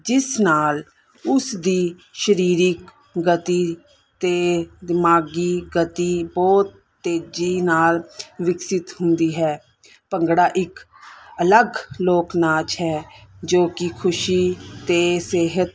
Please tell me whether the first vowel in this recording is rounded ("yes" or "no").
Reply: no